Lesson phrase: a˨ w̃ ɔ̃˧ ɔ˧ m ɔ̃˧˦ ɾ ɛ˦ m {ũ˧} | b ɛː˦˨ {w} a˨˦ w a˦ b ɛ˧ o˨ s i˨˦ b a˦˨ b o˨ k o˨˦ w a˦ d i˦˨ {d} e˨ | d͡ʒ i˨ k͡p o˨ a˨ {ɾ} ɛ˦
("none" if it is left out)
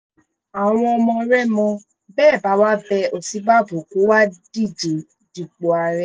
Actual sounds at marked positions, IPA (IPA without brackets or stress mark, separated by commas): ɔ̃˧, b, d͡ʒ, ɾ